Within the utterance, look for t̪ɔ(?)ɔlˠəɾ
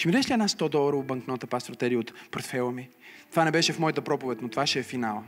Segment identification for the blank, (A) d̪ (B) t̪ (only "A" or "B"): A